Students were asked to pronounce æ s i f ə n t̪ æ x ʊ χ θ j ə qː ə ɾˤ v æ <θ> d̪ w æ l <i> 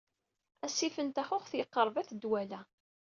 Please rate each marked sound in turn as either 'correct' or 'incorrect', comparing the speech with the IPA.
correct, incorrect: æ

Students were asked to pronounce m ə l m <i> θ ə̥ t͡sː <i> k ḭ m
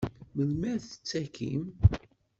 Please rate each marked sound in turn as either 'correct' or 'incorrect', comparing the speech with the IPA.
incorrect: æ, incorrect: æ

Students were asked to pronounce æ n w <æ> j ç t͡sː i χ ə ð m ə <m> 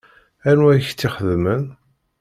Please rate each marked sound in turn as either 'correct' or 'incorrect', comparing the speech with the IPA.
correct, incorrect: n

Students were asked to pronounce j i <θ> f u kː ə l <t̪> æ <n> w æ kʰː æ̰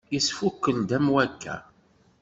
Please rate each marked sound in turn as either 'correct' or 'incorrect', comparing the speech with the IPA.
incorrect: s, incorrect: d̪, incorrect: m

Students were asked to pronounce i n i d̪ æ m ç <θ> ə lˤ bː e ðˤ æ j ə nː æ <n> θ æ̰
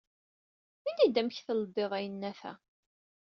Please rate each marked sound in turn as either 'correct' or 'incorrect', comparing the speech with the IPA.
correct, incorrect: none

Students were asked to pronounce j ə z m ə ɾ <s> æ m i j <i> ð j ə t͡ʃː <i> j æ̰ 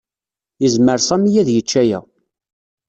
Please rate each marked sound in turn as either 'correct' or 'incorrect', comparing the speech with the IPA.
correct, incorrect: æ, incorrect: æ

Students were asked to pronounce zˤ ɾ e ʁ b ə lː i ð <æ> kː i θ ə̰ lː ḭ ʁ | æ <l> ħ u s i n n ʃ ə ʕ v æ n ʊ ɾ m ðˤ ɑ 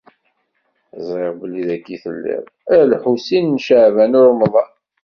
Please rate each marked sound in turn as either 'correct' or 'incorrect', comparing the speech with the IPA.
correct, correct

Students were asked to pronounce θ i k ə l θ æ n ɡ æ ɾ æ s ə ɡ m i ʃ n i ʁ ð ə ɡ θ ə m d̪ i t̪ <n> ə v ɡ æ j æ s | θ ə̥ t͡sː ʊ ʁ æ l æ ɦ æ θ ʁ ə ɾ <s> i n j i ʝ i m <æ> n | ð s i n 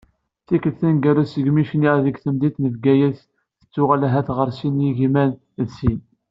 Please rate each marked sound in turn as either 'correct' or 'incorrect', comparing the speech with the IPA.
correct, correct, correct

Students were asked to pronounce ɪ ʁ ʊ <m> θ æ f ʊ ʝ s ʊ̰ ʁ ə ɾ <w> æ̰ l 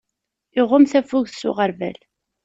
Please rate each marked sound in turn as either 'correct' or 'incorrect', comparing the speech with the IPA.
correct, incorrect: v

